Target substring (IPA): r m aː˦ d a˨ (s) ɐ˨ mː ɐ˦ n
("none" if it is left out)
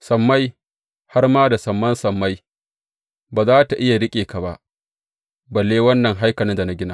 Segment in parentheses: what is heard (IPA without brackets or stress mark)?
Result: s